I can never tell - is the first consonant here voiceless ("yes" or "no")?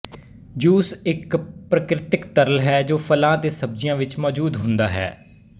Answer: no